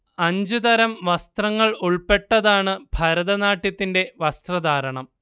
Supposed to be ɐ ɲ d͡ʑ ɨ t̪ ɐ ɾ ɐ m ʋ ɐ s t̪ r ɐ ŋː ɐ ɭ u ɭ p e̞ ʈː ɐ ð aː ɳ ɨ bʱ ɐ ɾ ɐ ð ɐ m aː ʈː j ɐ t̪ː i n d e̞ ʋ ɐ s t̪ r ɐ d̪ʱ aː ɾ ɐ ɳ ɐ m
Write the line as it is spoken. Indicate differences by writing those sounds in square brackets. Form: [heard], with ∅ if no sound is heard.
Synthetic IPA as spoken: ɐ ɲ d͡ʑ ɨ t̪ ɐ ɾ ɐ m ʋ ɐ s t̪ r ɐ ŋː ɐ ɭ u ɭ p e̞ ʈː ɐ ð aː ɳ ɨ bʱ ɐ ɾ ɐ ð ɐ [n] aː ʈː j ɐ t̪ː i n d e̞ ʋ ɐ s t̪ r ɐ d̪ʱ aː ɾ ɐ ɳ ɐ m